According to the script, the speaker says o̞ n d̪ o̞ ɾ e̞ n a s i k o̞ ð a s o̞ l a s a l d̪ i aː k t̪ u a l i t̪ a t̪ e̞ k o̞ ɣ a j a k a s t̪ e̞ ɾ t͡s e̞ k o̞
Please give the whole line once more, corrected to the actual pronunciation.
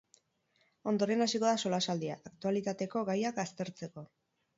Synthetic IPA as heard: o̞ n d̪ o̞ ɾ e̞ n a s i k o̞ ð a s o̞ l a s a l d̪ i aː k t̪ u a l i t̪ a t̪ e̞ k o̞ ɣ a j a k a s t̪ e̞ ɾ t͡s e̞ k o̞